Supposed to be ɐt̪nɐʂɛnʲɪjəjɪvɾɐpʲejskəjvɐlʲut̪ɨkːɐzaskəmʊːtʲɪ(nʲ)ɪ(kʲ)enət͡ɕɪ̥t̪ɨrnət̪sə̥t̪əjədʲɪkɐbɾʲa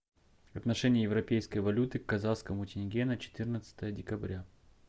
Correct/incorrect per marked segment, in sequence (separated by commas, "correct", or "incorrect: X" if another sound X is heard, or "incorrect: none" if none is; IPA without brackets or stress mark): correct, incorrect: ɡʲ